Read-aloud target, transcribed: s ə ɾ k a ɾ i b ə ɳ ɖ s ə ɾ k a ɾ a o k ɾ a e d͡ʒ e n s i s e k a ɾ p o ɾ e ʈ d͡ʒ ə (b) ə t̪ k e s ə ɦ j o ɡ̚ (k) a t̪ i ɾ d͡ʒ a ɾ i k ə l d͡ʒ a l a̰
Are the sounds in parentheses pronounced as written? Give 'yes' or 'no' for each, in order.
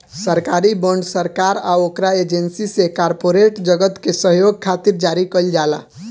no, no

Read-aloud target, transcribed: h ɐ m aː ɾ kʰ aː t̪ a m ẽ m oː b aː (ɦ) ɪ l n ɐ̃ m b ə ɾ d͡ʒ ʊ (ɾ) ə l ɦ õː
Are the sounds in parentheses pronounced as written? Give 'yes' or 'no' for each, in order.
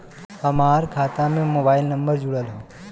no, no

